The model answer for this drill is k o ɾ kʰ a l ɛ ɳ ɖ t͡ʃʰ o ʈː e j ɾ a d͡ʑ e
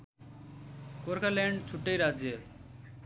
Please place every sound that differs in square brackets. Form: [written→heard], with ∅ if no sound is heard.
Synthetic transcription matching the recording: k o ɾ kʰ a l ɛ ɳ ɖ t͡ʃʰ [o→u] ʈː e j ɾ a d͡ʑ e